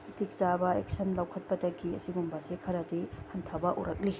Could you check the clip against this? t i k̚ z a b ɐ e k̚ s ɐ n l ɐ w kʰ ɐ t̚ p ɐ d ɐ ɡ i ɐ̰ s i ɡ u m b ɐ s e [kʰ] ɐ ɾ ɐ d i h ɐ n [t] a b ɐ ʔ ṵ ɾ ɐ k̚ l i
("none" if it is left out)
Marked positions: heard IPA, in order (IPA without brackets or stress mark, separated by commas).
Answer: kʰ, tʰ